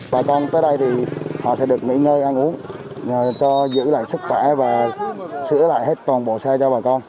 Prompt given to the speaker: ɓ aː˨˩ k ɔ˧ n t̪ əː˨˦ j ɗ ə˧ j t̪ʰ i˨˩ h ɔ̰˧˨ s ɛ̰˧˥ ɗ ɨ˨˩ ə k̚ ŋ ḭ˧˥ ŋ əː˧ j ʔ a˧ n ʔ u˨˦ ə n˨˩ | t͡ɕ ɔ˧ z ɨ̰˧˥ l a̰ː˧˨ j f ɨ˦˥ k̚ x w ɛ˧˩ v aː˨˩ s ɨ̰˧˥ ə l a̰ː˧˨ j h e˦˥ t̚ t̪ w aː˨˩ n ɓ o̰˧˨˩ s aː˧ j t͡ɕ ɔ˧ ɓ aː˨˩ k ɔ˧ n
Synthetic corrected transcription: ɓ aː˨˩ k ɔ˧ n t̪ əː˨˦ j ɗ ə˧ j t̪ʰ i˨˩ h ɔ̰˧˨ s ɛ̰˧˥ ɗ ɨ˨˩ ə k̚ ŋ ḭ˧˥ ŋ əː˧ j ʔ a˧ n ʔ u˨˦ ə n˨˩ | t͡ɕ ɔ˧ z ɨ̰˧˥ l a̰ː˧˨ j s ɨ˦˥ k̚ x w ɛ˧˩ v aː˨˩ s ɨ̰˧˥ ə l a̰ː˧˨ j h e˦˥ t̚ t̪ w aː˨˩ n ɓ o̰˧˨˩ s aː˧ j t͡ɕ ɔ˧ ɓ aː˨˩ k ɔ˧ n